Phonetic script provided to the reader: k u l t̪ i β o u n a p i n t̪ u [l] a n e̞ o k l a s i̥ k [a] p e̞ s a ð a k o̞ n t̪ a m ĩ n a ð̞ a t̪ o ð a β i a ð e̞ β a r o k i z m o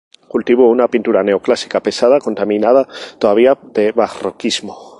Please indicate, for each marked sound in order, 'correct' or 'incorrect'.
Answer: incorrect, correct

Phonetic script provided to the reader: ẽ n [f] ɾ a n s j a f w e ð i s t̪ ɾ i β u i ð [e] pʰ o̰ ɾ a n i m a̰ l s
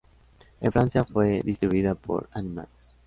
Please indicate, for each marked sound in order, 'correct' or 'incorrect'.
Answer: correct, incorrect

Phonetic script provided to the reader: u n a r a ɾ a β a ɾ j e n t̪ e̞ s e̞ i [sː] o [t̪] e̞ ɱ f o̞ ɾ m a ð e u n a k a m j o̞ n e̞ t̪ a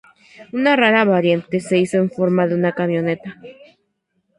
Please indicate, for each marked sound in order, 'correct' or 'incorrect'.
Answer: incorrect, incorrect

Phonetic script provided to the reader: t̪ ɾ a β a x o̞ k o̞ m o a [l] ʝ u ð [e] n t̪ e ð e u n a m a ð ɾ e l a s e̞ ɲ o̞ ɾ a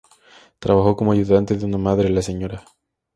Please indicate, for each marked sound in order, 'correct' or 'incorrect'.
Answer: incorrect, incorrect

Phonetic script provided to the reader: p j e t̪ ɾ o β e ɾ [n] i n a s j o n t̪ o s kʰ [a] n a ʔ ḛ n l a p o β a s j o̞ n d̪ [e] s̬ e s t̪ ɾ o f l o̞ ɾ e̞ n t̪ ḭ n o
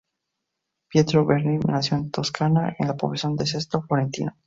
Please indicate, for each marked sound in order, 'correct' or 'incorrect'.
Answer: correct, correct, correct

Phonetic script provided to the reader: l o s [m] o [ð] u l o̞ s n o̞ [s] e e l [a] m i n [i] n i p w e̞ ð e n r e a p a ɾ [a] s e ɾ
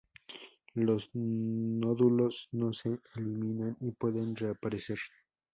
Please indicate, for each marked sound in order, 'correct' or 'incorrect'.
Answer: incorrect, correct, correct, incorrect, incorrect, incorrect

